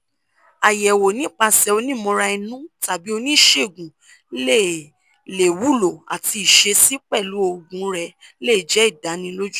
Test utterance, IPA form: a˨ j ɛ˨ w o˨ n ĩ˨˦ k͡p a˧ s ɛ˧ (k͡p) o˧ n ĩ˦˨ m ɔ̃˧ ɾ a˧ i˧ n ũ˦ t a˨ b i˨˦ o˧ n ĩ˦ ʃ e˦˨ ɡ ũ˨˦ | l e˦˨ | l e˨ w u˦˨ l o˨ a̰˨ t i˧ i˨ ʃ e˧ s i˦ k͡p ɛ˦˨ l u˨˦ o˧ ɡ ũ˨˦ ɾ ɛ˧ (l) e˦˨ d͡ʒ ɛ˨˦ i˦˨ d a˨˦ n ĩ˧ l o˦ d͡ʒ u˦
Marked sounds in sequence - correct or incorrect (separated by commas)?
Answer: incorrect, correct